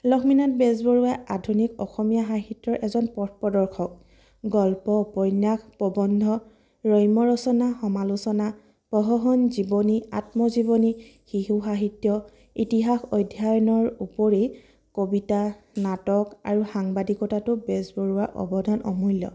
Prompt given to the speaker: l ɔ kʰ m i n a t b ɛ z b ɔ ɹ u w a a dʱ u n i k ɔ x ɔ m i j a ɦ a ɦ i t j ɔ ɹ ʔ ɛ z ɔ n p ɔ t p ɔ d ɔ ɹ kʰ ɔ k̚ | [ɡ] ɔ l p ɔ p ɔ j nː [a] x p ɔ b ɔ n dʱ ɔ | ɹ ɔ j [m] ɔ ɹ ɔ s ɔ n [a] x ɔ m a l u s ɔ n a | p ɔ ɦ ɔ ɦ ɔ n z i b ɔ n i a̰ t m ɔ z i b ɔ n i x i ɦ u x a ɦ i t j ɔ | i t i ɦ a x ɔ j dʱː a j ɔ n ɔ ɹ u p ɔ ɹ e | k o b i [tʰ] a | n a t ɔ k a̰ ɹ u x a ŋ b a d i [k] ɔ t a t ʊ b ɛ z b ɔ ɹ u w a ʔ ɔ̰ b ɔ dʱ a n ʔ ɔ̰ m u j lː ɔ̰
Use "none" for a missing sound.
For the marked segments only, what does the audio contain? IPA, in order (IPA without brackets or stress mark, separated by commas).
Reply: ɡ, a, m, a, t, k